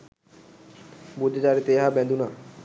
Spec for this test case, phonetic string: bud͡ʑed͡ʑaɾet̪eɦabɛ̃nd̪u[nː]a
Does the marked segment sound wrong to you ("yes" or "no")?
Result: yes